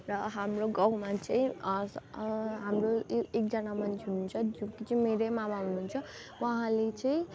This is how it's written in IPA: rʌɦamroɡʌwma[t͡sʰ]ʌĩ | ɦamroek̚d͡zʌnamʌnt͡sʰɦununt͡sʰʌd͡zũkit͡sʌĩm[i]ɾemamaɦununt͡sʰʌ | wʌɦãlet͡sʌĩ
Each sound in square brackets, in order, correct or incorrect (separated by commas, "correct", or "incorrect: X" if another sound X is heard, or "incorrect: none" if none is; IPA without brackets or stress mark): incorrect: t͡s, incorrect: e